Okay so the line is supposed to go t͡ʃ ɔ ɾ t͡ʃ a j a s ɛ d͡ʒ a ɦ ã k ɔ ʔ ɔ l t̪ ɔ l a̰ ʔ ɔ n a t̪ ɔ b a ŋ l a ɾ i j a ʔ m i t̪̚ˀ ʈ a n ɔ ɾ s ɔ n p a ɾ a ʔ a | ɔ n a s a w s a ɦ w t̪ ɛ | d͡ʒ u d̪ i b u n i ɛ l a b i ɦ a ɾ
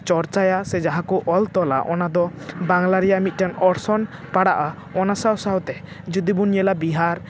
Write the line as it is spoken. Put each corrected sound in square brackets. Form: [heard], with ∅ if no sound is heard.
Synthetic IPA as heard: t͡ʃ ɔ ɾ t͡ʃ a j a s ɛ d͡ʒ a ɦ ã k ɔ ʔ ɔ l t̪ ɔ l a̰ ʔ ɔ n a [d̪] ɔ b a ŋ l a ɾ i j a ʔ m i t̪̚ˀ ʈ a n ɔ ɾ s ɔ n p a [ɽ] a ʔ a | ɔ n a s a w s a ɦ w t̪ ɛ | d͡ʒ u d̪ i b u n [j] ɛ l a b i ɦ a ɾ